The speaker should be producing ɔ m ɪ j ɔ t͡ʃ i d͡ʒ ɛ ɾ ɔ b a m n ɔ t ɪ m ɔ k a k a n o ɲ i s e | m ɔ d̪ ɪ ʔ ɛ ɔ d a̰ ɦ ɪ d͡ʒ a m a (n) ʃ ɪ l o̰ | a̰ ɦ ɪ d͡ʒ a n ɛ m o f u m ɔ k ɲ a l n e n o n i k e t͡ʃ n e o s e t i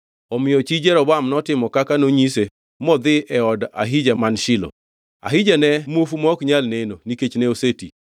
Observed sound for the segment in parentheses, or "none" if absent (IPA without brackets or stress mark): n